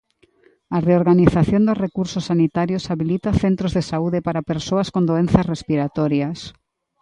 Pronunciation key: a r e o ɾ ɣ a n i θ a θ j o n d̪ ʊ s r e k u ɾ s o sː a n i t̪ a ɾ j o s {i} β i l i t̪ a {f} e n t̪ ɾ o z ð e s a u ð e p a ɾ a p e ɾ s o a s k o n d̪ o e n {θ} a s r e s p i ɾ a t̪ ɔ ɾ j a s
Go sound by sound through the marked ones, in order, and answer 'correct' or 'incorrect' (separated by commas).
incorrect, incorrect, correct